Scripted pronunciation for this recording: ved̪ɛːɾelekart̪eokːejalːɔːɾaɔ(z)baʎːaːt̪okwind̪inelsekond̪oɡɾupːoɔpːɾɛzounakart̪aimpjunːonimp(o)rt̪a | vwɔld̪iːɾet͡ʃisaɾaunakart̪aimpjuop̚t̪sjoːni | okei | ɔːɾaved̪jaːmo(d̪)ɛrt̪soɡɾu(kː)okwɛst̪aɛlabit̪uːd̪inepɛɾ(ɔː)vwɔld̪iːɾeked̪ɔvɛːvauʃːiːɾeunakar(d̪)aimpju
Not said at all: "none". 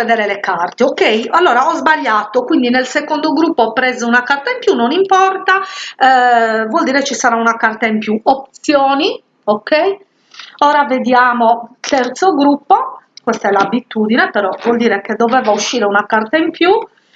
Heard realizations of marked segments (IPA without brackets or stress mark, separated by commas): z, ɔ, t̪, pː, ɔ, t̪